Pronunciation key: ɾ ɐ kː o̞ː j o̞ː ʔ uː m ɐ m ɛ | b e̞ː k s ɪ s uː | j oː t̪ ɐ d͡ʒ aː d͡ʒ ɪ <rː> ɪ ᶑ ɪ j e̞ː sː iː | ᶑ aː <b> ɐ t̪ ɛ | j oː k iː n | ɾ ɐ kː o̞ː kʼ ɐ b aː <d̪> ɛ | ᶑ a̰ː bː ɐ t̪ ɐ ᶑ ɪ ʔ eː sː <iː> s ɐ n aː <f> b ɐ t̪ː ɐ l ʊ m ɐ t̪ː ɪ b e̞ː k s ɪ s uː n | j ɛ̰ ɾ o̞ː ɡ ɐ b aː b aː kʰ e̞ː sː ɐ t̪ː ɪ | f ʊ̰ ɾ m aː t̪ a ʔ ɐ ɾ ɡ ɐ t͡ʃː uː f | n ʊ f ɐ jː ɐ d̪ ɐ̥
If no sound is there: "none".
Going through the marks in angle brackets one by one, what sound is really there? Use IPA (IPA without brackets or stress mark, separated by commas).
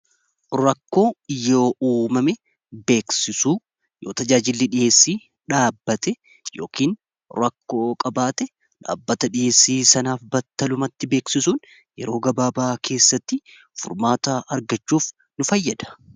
lː, bː, t̪, iː, f